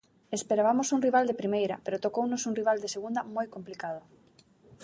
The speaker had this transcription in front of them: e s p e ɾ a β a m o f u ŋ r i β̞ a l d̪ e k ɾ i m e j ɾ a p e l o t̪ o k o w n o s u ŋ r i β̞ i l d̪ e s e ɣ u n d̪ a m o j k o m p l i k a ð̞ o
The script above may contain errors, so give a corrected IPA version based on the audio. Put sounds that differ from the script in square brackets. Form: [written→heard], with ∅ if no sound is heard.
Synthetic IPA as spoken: e s p e ɾ a β a m o [f→s] u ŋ r i β̞ a l d̪ e [k→p] ɾ i m e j ɾ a p e [l→ɾ] o t̪ o k o w n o s u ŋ r i β̞ [i→a] l d̪ e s e ɣ u n d̪ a m o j k o m p l i k a ð̞ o